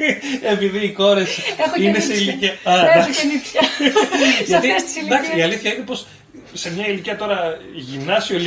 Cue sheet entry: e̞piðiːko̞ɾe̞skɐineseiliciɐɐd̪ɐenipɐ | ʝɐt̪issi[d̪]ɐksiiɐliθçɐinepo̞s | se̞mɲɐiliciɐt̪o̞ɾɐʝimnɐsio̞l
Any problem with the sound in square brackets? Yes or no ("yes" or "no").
no